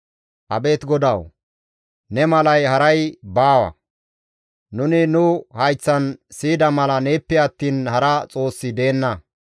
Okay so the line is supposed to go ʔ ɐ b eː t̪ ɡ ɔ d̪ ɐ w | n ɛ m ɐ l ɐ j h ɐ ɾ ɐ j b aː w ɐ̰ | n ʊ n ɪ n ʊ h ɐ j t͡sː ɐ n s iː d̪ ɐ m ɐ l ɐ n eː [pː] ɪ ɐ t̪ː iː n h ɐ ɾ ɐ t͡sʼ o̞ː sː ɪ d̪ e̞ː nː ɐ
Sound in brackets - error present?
no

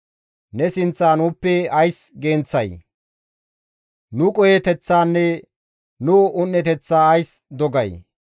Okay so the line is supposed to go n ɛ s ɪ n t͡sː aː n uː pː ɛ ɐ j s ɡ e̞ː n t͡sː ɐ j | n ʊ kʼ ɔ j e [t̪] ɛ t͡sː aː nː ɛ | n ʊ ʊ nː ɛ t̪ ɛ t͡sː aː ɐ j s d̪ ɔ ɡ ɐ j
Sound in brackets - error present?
no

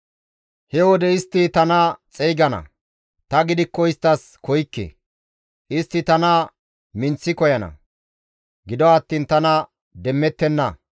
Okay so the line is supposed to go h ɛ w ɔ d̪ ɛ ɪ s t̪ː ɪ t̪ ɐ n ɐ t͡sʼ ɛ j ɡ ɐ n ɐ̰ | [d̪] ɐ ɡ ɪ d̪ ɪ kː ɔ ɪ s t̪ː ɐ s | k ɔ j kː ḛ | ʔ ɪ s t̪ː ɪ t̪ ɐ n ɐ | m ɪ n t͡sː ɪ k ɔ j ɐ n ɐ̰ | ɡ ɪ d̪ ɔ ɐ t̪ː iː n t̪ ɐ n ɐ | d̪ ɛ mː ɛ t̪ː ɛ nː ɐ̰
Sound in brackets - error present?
yes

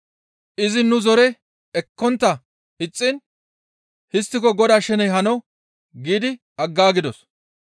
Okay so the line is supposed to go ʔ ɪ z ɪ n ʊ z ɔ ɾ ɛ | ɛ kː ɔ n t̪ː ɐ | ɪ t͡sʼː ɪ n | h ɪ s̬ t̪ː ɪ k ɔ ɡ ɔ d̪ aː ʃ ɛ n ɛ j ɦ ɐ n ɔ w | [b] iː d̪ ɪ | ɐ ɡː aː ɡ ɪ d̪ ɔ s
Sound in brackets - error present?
yes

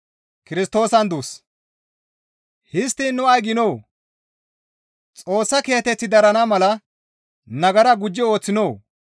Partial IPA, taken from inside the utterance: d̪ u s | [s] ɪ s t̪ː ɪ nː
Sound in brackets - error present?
yes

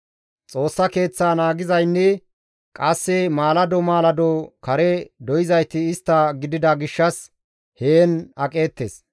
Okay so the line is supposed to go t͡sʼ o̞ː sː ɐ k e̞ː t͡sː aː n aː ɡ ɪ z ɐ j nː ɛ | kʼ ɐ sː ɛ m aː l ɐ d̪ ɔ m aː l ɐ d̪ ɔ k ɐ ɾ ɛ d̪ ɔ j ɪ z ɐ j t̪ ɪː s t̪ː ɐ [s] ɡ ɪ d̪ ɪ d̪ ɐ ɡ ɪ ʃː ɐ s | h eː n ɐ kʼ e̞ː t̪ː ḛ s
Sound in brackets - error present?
yes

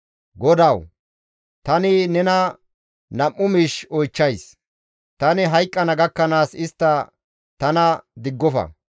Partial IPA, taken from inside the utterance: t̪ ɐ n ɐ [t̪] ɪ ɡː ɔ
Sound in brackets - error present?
yes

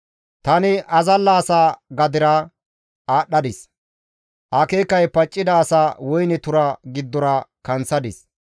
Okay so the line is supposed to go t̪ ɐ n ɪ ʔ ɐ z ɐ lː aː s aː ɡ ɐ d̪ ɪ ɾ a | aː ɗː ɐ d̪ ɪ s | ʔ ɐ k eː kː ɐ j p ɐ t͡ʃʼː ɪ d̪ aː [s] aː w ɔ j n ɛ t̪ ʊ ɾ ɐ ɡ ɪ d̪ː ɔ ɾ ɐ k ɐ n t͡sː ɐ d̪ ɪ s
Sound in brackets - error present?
no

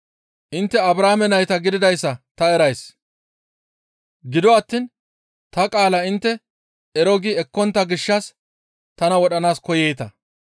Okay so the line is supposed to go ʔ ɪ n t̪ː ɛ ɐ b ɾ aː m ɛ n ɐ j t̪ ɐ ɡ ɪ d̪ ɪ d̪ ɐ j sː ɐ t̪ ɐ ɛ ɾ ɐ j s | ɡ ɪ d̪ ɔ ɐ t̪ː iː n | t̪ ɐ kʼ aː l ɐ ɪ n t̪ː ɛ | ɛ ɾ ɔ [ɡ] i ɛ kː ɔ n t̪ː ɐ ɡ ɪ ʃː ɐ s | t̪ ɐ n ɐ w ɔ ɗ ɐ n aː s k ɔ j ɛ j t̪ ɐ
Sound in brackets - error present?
no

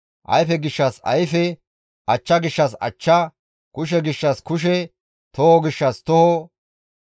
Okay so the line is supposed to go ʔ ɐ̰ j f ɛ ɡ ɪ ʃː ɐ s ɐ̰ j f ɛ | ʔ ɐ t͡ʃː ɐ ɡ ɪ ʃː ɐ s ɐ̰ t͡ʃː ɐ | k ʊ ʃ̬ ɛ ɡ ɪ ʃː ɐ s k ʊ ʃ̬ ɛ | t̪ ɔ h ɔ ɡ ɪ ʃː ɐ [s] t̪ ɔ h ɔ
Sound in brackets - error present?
no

